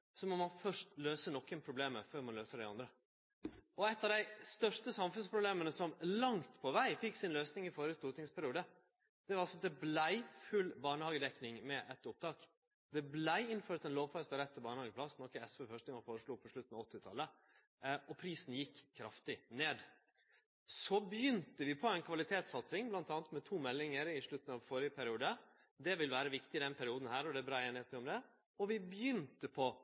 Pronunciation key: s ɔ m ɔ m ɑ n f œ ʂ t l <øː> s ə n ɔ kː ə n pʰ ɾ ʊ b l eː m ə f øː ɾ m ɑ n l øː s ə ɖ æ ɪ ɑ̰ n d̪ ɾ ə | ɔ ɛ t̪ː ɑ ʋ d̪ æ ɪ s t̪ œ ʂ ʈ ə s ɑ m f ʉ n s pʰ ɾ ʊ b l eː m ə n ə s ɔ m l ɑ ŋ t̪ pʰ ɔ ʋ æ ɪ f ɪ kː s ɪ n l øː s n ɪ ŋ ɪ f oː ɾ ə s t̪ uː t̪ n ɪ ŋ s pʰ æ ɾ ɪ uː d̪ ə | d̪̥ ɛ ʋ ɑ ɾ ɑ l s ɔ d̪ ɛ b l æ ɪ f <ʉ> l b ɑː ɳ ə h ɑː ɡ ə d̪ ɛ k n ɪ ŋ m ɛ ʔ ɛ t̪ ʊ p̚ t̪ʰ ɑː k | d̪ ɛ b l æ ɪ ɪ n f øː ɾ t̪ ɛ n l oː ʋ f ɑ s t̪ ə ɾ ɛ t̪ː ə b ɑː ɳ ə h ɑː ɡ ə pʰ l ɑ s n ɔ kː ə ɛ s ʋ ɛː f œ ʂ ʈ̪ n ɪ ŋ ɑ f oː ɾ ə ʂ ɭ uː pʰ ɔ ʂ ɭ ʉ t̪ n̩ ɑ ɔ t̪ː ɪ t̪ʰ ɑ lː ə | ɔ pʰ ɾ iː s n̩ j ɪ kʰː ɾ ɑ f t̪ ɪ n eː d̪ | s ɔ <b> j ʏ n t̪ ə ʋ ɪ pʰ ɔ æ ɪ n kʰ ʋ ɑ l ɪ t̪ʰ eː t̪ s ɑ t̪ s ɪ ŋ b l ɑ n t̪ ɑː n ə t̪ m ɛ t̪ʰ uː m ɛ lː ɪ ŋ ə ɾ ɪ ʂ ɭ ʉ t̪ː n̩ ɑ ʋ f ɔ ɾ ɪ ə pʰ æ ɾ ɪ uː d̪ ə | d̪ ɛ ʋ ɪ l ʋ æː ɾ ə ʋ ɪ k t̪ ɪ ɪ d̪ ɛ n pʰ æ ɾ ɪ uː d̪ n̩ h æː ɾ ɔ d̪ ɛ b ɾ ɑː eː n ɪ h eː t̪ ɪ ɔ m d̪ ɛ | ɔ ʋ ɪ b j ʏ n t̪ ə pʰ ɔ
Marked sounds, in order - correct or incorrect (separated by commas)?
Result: correct, correct, correct